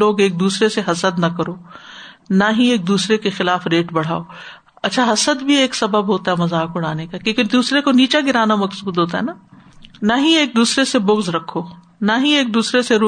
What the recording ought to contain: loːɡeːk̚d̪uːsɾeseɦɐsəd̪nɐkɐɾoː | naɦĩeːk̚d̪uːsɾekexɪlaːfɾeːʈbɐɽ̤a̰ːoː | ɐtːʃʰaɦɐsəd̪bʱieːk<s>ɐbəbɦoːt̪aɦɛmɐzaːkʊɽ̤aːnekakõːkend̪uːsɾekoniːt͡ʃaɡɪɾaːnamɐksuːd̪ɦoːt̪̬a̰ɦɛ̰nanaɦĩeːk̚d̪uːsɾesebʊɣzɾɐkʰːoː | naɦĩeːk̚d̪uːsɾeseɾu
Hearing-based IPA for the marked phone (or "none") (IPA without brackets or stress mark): s